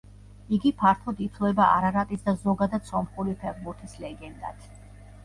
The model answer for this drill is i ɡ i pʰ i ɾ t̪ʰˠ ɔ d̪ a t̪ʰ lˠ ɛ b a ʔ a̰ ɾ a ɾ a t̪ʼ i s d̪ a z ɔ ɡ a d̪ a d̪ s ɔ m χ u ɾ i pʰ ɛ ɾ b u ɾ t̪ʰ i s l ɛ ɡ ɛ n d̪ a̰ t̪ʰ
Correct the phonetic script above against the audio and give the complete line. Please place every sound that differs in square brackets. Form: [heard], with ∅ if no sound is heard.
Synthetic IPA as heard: i ɡ i pʰ [a] ɾ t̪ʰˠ ɔ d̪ [i] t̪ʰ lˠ ɛ b a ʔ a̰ ɾ a ɾ a t̪ʼ i s d̪ a z ɔ ɡ a d̪ a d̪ s ɔ m χ u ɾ i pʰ ɛ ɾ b u ɾ t̪ʰ i s l ɛ ɡ ɛ n d̪ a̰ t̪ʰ